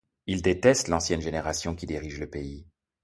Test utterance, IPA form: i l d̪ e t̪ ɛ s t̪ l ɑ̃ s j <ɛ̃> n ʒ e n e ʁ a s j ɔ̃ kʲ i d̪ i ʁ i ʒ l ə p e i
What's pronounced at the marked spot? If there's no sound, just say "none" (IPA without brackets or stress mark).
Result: ɛ